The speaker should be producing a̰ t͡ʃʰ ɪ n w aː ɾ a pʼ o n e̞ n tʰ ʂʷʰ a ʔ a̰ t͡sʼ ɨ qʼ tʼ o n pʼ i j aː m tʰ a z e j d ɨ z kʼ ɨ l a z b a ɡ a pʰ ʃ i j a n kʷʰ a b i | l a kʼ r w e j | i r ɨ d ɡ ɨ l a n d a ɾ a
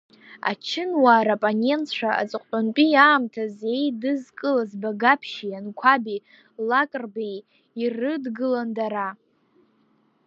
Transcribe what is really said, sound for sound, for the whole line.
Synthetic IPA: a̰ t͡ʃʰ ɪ n w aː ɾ a pʼ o n e̞ n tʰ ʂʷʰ a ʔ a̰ t͡sʼ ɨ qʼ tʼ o n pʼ i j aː m tʰ a z e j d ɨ z kʼ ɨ l a z b a ɡ a pʰ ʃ i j a n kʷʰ a b i | l a kʼ r b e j | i r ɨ d ɡ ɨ l a n d a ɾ a